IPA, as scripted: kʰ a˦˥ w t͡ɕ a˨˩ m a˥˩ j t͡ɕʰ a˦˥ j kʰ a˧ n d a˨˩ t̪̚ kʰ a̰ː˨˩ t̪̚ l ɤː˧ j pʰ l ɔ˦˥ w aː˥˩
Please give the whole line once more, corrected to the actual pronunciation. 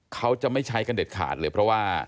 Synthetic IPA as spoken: kʰ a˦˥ w t͡ɕ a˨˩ m a˥˩ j t͡ɕʰ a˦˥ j k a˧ n d e˨˩ t̪̚ kʰ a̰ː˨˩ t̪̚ l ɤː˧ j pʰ ɾ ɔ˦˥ w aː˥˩